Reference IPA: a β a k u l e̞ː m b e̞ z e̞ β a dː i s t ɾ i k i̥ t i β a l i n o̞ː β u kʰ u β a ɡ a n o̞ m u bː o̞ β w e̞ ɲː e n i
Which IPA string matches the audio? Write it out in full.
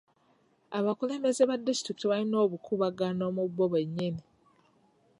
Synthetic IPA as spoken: a β a k u l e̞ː m b e̞ z e̞ β a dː i s t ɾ i k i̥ t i β a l i n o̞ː β u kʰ u β a ɡ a n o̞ m u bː o̞ β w e̞ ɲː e n i